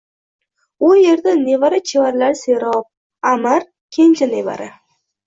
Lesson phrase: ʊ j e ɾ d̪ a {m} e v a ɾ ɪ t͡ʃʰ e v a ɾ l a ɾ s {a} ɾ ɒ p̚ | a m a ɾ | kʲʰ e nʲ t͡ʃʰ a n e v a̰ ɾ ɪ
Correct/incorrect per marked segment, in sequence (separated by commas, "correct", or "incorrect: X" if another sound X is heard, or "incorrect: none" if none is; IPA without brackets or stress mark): incorrect: n, incorrect: e